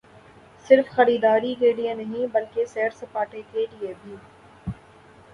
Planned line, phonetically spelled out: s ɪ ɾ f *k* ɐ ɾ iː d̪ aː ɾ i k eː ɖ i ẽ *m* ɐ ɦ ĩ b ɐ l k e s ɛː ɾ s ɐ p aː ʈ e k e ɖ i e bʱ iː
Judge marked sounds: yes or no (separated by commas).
no, no